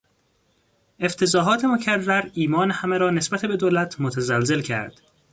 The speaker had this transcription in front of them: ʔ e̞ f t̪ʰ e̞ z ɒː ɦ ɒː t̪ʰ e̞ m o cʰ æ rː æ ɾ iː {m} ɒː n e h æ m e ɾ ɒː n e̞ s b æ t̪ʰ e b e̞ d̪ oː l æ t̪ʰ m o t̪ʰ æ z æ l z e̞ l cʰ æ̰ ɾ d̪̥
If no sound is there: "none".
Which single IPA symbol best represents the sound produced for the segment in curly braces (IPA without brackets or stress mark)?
m